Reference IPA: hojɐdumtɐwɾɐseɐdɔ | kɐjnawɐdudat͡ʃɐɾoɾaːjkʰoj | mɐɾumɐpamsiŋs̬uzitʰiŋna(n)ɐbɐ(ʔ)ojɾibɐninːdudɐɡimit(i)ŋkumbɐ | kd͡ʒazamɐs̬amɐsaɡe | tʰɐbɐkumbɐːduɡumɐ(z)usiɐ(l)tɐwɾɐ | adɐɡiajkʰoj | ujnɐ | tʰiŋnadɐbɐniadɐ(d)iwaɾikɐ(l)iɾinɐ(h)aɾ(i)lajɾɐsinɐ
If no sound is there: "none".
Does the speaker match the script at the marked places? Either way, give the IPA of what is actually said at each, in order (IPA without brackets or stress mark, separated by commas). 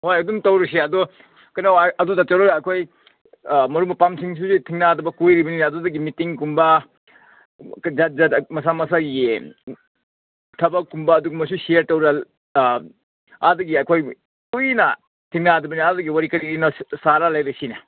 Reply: d, k, i, s, ɾ, ɡ, ɾ, s, a